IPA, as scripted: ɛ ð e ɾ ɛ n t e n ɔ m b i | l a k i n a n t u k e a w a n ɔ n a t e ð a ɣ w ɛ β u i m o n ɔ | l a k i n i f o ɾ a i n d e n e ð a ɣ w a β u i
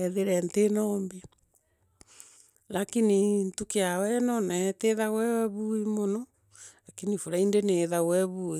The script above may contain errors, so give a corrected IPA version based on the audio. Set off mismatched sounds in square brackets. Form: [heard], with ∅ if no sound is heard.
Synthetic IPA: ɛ ð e ɾ ɛ n t e n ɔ m b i | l a k i n [i] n t u k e a w [ɛ] n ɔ n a t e ð a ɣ w ɛ β u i m o n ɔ | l a k i n i f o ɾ a i n d e n e ð a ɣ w [ɛ] β u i